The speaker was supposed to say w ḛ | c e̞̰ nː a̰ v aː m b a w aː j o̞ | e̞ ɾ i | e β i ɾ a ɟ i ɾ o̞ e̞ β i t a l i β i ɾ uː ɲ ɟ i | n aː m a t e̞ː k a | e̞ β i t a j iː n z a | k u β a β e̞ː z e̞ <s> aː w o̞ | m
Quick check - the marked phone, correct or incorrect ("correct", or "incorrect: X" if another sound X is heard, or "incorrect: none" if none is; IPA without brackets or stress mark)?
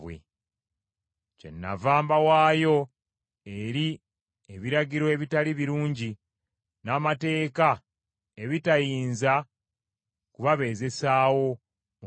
correct